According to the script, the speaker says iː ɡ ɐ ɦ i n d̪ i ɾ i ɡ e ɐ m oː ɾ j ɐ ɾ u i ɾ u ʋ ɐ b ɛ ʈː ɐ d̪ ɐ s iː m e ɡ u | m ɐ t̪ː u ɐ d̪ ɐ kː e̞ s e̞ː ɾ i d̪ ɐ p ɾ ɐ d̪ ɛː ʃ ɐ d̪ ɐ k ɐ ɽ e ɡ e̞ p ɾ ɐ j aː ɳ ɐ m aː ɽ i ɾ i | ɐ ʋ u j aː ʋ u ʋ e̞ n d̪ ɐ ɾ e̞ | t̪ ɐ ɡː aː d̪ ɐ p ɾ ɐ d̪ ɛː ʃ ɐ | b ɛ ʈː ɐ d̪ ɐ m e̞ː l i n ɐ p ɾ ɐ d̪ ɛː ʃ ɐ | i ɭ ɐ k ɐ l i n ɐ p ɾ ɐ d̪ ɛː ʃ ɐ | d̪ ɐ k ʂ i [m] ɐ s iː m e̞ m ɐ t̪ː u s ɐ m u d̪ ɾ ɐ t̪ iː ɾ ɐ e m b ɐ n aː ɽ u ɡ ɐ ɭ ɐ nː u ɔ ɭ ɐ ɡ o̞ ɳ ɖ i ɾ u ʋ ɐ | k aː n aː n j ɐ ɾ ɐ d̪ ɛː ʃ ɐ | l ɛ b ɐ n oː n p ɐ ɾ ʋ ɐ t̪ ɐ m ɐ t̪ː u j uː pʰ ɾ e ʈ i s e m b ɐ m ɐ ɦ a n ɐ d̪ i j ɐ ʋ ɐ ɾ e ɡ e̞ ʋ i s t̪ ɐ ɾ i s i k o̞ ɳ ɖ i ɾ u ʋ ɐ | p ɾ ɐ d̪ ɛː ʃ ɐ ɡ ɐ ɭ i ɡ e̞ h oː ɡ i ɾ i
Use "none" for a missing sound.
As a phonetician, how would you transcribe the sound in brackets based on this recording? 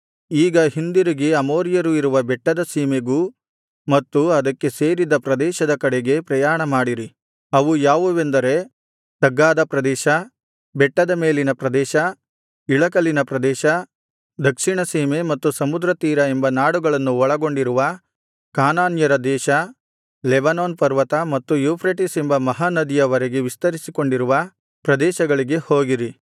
ɳ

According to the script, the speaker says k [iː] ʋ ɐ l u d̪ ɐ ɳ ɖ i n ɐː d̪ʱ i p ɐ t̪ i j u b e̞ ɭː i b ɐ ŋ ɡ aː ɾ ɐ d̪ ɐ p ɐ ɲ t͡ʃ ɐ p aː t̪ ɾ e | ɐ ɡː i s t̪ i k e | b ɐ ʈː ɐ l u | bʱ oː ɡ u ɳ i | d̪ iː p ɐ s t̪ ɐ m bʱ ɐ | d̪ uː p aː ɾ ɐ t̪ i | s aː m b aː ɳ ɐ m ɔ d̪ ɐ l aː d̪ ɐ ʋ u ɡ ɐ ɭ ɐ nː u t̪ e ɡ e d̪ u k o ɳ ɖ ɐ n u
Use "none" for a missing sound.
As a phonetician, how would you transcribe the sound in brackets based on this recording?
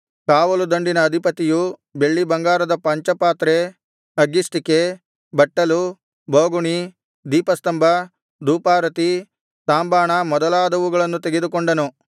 aː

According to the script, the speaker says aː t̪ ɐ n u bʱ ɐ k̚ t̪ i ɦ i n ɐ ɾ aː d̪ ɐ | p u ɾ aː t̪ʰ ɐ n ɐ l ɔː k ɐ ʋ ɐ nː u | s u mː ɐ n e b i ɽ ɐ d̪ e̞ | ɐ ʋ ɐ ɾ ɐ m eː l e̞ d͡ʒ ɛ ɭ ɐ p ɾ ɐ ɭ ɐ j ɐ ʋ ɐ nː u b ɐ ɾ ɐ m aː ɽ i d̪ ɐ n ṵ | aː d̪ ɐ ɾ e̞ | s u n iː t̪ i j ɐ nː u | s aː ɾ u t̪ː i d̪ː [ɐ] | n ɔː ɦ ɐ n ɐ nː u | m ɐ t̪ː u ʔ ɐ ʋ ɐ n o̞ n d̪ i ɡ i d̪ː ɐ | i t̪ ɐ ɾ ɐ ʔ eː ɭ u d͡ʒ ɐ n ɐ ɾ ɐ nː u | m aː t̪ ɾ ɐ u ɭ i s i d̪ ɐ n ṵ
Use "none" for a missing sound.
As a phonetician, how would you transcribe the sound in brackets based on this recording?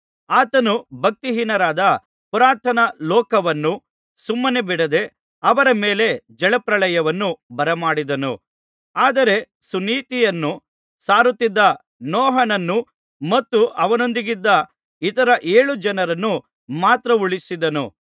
ɐ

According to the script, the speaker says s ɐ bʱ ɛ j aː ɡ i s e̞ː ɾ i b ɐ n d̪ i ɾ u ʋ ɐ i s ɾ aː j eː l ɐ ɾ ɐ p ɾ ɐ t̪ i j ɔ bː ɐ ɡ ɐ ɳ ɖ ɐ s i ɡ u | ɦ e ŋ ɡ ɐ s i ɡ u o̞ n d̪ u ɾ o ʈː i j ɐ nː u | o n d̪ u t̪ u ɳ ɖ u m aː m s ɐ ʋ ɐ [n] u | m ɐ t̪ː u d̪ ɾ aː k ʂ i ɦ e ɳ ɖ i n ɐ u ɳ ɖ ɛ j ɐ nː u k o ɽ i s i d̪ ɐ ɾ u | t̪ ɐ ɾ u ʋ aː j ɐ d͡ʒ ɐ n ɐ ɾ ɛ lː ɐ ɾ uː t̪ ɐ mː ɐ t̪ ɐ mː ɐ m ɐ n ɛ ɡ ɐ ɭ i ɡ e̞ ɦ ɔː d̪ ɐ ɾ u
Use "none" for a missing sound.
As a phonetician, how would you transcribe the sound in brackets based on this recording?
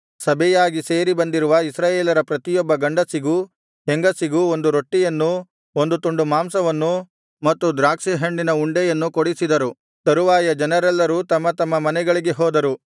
nː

